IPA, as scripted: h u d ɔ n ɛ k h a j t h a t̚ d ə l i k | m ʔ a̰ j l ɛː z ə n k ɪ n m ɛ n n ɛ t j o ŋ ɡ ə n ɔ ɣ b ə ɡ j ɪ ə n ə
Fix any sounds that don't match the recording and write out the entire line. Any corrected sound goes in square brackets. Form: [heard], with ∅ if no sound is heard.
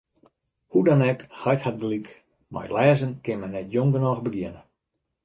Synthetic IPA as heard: h u d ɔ n ɛ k h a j t h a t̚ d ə l i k | m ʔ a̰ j l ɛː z ə n k ɪ n m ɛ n n ɛ t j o ŋ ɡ ə n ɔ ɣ b ə ɡ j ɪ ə n ə